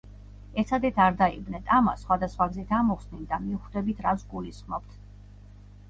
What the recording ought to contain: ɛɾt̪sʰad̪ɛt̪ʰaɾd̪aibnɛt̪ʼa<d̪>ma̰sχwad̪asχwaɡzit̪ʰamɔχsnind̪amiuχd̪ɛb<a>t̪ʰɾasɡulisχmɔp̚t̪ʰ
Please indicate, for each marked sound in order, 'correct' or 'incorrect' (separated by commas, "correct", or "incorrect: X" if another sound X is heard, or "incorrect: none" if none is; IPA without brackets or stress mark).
incorrect: none, incorrect: i